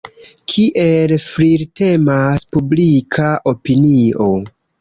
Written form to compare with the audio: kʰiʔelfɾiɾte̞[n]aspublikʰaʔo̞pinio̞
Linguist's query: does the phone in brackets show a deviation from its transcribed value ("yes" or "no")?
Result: yes